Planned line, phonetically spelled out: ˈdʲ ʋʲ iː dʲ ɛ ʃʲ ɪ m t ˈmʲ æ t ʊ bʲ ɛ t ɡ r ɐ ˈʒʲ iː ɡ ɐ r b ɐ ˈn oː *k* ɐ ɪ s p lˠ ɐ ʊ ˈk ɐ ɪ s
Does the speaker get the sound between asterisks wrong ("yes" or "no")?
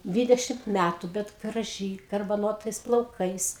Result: yes